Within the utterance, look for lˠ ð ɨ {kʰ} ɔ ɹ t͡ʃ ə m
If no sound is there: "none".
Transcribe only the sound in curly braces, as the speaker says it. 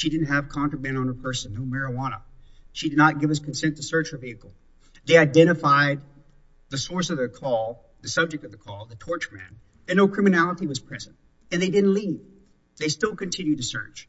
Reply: tʰ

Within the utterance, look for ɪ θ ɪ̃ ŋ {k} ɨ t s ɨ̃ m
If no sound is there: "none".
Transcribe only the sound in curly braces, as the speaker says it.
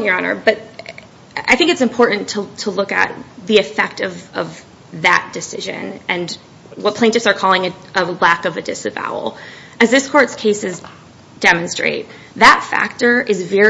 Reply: k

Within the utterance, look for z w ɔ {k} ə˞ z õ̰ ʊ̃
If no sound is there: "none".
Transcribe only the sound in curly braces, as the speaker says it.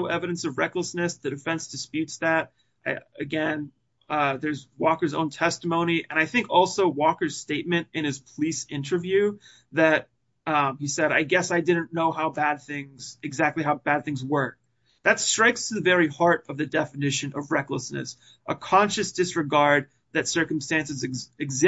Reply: k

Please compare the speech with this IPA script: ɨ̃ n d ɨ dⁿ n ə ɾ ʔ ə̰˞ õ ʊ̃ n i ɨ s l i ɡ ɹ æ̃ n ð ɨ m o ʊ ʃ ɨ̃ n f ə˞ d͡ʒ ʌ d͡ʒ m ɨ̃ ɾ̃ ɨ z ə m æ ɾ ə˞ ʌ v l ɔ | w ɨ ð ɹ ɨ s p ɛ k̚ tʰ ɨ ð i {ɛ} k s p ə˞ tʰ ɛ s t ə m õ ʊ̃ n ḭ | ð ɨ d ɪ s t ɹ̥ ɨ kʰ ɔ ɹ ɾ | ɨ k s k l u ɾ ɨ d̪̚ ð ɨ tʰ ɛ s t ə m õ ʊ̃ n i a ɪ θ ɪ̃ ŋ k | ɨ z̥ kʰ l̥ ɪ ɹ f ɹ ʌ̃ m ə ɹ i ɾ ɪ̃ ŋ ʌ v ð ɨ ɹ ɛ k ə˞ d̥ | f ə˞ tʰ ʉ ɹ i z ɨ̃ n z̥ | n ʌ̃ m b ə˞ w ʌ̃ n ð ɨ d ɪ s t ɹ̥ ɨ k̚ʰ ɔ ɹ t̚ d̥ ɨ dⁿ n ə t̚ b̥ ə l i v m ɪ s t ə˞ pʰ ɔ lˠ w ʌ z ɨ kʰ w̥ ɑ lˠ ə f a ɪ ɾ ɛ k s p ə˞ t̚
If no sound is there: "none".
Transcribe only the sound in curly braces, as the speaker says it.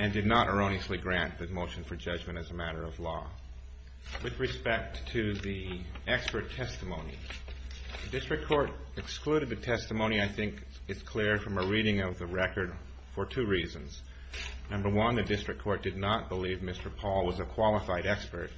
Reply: ɛ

